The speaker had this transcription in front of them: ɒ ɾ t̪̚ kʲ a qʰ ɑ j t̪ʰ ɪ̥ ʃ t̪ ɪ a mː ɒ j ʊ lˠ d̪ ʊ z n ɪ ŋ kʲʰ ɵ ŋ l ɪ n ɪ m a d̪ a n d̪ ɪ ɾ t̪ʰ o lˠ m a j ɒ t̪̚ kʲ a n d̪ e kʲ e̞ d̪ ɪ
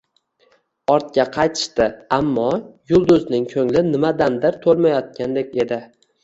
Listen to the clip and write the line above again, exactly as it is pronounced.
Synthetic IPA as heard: ɒ ɾ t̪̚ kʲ a qʰ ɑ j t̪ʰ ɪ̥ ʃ t̪ ɪ a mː ɒ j ʊ lˠ d̪ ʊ z n ɪ ŋ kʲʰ ɵ ŋ l ɪ n ɪ m a d̪ a n d̪ ɪ ɾ t̪ʰ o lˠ m a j ɒ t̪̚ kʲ a n d̪ e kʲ e̞ d̪ ɪ